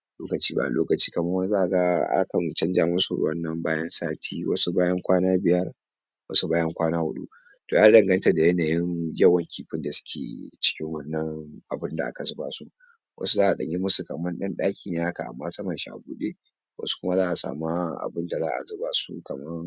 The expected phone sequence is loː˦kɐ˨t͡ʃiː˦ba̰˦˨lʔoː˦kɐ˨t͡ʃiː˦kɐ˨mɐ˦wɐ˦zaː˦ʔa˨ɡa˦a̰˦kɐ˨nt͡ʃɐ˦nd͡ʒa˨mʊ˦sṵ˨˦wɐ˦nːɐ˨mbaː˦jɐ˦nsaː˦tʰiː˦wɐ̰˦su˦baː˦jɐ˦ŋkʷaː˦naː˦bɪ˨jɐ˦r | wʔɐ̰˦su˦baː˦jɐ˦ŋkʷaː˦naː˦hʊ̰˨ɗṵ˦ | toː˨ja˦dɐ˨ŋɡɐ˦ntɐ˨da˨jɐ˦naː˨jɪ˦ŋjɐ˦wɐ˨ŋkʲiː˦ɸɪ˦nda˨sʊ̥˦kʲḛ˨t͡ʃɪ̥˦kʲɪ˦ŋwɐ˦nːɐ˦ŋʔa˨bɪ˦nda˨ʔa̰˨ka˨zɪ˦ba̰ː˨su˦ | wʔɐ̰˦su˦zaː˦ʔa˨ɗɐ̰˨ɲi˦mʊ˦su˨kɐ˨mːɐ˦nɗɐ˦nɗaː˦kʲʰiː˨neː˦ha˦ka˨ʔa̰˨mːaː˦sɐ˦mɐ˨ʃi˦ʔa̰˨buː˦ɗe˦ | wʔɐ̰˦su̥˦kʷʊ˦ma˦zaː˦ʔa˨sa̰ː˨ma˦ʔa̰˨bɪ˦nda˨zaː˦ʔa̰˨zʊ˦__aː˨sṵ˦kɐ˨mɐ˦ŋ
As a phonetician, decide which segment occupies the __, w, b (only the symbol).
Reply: b